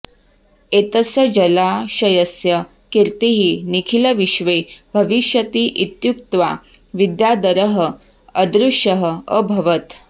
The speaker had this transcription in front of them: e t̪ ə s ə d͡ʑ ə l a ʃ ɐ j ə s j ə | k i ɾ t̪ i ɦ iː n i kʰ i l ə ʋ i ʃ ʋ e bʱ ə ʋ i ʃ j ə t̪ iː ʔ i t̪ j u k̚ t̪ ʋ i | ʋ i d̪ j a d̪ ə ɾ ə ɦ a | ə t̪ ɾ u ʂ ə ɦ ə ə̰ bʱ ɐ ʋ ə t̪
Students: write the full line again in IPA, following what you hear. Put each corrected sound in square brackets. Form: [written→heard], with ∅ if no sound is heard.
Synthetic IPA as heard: e t̪ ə s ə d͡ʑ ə l a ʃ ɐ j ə s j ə | k i ɾ t̪ i ɦ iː n i kʰ i l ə ʋ i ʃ ʋ e bʱ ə ʋ i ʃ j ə t̪ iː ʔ i t̪ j u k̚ t̪ ʋ [i→a] | ʋ i d̪ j a d̪ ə ɾ ə ɦ [a→ə] | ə [t̪→d̪] ɾ u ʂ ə ɦ ə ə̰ bʱ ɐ ʋ ə t̪